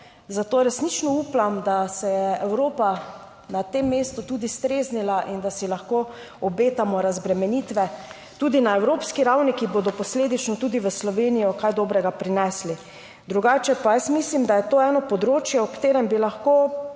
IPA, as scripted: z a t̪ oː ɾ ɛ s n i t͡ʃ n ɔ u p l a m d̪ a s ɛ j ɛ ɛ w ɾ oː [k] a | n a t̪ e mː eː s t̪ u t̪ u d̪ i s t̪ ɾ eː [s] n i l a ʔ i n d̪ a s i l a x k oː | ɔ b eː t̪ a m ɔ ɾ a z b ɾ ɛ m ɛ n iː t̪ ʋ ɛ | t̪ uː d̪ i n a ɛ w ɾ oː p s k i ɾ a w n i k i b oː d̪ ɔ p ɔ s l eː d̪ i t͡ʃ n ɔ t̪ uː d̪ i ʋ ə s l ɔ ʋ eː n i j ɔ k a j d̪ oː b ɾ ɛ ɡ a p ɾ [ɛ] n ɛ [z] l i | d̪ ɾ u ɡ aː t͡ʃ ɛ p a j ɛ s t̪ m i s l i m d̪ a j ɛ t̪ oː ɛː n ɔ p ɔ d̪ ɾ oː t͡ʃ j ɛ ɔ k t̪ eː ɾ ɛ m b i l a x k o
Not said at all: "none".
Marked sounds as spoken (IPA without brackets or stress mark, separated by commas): p, z, i, s